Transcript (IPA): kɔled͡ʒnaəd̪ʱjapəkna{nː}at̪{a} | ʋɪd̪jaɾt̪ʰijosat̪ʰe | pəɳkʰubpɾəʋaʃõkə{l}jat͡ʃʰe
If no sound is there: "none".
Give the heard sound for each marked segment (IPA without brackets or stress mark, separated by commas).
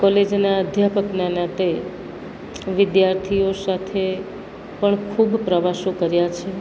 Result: n, e, ɾ